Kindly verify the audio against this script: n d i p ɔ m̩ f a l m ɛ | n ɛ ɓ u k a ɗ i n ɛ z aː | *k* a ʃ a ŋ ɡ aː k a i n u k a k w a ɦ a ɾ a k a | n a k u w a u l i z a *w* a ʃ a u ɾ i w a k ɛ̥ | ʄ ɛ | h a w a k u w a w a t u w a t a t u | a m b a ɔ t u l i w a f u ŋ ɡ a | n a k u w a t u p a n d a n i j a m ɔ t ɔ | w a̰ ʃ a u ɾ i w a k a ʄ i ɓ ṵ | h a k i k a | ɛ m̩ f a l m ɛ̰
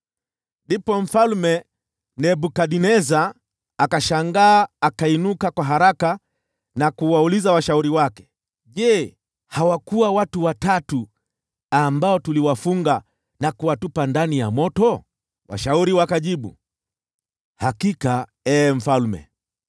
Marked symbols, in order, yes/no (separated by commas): yes, yes